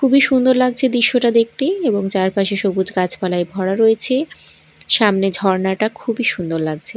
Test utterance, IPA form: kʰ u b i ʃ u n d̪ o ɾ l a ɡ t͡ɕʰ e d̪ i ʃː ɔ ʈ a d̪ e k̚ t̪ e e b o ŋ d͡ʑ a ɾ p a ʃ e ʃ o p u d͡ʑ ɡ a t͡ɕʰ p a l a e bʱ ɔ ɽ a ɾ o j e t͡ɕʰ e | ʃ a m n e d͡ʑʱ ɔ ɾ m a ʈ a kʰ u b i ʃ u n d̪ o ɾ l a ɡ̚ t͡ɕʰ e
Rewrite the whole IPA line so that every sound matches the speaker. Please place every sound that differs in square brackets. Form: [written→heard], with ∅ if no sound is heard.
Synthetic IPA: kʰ u b i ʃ u n d̪ o ɾ l a ɡ t͡ɕʰ e d̪ i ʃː [ɔ→o] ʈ a d̪ e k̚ t̪ e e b o ŋ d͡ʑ a ɾ p a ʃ e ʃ o [p→b] u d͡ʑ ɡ a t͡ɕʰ p a l a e bʱ ɔ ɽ a ɾ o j e t͡ɕʰ e | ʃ a m n e d͡ʑʱ ɔ ɾ [m→n] a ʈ a kʰ u b i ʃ u n d̪ o ɾ l a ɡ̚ t͡ɕʰ e